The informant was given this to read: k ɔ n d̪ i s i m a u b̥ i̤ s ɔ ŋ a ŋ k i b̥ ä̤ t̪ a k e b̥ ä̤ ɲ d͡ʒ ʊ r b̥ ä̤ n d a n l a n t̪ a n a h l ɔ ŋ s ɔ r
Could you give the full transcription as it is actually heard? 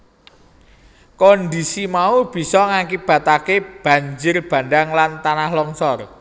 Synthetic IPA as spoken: k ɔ n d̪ i s i m a u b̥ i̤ s ɔ ŋ a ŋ k i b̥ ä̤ t̪ a k e b̥ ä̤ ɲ d͡ʒ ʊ r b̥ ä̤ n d a ŋ l a n t̪ a n a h l ɔ ŋ s ɔ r